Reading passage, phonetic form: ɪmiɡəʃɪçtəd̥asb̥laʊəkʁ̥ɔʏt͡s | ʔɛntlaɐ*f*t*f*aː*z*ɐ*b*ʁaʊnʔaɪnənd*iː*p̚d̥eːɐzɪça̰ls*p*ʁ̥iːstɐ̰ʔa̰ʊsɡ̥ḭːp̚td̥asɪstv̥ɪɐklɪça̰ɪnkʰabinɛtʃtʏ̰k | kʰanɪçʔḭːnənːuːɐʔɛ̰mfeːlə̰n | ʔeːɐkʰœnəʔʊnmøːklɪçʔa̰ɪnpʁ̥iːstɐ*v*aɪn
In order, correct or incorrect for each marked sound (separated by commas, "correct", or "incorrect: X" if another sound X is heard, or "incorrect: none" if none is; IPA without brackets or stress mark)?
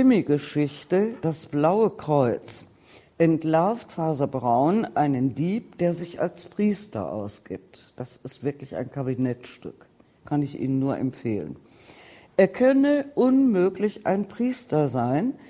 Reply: correct, correct, correct, correct, correct, correct, incorrect: z